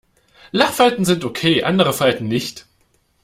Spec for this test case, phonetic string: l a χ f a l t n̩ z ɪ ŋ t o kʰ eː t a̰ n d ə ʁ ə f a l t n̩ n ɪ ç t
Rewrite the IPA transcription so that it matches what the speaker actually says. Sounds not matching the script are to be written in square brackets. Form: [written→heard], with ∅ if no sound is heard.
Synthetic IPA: l a χ f a l t n̩ z ɪ [ŋ→n] t o kʰ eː [t→ʔ] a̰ n d ə ʁ ə f a l t n̩ n ɪ ç t